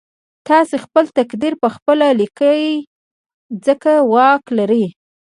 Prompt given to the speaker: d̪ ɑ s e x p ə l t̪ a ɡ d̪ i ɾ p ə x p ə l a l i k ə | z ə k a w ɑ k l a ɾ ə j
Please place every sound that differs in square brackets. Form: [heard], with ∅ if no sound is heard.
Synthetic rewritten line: [t̪] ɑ s e x p ə l t̪ a [k] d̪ i ɾ p ə x p ə l a l i k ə | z ə k a w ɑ k l a ɾ ə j